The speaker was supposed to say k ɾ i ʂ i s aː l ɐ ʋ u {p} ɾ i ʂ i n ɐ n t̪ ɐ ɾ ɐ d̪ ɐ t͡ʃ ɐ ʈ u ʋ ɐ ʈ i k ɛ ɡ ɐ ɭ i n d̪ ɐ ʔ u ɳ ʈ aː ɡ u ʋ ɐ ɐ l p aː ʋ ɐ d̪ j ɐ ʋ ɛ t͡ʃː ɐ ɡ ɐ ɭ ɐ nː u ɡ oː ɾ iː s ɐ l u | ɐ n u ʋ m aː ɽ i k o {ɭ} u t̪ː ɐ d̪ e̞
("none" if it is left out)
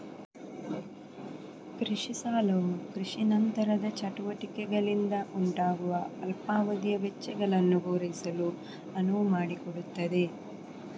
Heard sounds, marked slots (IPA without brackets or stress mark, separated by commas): k, ɽ